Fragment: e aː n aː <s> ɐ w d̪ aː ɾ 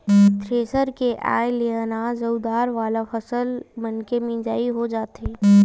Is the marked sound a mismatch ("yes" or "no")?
yes